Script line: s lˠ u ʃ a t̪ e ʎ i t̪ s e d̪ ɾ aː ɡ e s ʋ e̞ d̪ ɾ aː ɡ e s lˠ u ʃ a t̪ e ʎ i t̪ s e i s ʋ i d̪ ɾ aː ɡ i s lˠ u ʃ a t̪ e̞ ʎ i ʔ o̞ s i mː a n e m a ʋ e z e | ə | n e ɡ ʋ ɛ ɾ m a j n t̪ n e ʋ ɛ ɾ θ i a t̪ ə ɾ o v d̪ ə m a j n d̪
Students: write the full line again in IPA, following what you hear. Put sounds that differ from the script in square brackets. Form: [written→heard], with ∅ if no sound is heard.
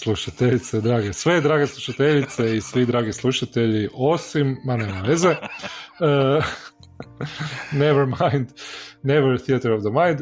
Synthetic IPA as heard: s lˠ u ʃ a t̪ e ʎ i t̪ s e d̪ ɾ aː ɡ e s ʋ e̞ d̪ ɾ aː ɡ e s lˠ u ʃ a t̪ e ʎ i t̪ s e i s ʋ i d̪ ɾ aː ɡ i s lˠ u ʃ a t̪ e̞ ʎ i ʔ o̞ s i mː a n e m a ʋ e z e | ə | n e [ɡ→∅] ʋ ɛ ɾ m a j n [t̪→d̪] n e ʋ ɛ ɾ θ i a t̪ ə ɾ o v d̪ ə m a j n d̪